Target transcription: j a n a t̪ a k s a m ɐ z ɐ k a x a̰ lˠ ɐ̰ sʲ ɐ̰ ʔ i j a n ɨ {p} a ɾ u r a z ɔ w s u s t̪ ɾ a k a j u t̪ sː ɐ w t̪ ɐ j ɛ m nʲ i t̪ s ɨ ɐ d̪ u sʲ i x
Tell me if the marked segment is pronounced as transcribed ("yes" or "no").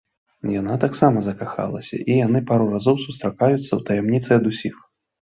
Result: yes